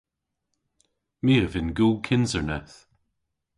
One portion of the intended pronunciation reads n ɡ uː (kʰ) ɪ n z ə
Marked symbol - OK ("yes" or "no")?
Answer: yes